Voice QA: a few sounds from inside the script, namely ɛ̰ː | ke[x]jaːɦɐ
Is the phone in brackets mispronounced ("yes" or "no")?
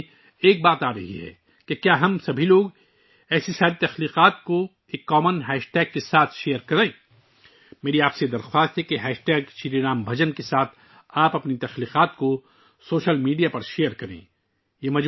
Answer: yes